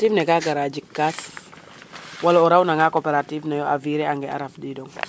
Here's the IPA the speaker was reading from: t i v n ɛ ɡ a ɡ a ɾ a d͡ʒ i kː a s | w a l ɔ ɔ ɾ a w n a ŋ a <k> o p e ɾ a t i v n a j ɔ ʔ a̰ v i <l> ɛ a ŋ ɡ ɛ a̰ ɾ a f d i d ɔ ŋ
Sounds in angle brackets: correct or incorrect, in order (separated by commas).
correct, incorrect